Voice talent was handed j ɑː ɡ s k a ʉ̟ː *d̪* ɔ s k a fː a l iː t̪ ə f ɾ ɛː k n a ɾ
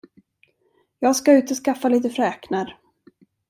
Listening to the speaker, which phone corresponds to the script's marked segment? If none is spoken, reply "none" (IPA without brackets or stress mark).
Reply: t̪